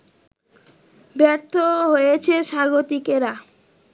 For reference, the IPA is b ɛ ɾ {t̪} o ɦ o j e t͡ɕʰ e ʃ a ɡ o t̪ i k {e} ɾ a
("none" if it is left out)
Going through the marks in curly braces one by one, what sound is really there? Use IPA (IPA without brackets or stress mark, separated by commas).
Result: t̪ʰ, e